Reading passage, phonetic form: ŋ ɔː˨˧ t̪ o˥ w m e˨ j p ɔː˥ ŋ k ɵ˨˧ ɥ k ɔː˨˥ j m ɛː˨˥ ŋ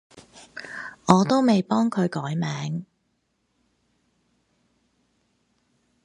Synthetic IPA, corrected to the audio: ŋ ɔː˨˧ t̪ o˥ w m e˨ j p ɔː˥ ŋ kʰ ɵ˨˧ ɥ k ɔː˨˥ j m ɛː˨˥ ŋ